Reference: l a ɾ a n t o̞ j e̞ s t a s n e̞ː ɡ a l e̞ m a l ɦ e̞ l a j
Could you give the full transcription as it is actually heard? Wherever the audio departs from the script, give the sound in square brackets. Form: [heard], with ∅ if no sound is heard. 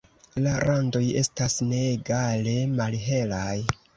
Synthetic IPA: l a ɾ a n [d] o̞ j e̞ s t a s n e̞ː ɡ a l e̞ m a l ɦ e̞ l a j